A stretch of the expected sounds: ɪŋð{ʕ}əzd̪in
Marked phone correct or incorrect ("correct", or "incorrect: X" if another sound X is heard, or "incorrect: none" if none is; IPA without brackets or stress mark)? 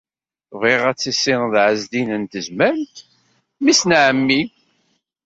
correct